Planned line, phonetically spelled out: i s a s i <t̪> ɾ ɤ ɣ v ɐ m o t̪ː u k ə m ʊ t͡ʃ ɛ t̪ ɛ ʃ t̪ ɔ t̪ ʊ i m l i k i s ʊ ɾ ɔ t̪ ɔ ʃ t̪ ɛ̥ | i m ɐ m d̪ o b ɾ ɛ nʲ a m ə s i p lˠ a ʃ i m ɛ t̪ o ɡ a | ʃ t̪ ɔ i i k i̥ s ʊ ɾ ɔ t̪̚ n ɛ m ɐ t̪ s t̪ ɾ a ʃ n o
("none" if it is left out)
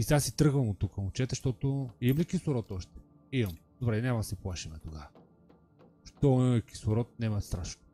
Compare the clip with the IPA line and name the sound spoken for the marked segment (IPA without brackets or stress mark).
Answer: t̪